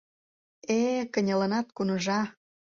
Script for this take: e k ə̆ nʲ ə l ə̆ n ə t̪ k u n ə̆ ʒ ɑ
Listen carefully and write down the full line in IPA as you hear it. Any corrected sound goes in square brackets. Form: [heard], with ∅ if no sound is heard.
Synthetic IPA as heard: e k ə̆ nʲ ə l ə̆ n [ɑ] t̪ k u n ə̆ ʒ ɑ